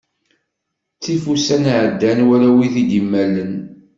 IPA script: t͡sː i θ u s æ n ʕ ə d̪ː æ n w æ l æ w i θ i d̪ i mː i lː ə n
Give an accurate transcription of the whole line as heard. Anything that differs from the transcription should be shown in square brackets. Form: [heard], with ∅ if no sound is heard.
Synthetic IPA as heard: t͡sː i [f] u s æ n ʕ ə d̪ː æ n w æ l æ w i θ i d̪ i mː [æ] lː ə n